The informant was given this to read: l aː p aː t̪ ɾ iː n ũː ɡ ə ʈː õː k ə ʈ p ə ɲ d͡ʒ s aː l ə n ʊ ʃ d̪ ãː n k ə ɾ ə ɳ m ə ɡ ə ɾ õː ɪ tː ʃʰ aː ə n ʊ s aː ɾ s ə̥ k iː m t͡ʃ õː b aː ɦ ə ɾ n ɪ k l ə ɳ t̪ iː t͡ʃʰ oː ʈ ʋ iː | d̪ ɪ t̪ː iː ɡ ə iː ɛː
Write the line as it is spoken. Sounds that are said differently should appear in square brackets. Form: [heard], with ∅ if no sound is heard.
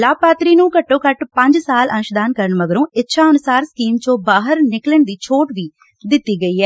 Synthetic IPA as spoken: l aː p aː t̪ ɾ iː n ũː [k] ə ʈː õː k ə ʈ p ə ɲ d͡ʒ s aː l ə n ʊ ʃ d̪ [aː] n k ə ɾ ə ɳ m ə ɡ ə ɾ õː ɪ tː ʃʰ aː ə n ʊ s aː ɾ s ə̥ k iː m t͡ʃ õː b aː ɦ ə ɾ n ɪ k l ə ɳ [d̪] iː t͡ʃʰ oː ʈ ʋ iː | d̪ ɪ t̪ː iː ɡ ə iː ɛː